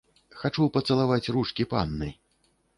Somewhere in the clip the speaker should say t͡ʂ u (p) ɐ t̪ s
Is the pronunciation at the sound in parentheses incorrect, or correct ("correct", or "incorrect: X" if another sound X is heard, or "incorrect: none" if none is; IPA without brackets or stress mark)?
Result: correct